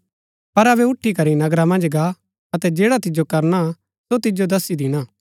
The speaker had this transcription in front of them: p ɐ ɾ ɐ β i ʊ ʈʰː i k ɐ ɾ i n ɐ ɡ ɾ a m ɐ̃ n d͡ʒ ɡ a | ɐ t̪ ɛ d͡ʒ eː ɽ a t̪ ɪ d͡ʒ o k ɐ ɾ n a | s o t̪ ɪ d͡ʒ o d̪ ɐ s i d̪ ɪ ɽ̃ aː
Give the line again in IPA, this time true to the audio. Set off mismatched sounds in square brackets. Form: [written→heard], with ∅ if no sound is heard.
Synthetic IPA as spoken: p ɐ ɾ ɐ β [i→ɛ] ʊ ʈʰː i k ɐ ɾ i n ɐ ɡ ɾ a m ɐ̃ n d͡ʒ ɡ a | ɐ t̪ ɛ d͡ʒ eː ɽ a t̪ ɪ d͡ʒ o k ɐ ɾ n a | s o t̪ ɪ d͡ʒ o d̪ ɐ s i d̪ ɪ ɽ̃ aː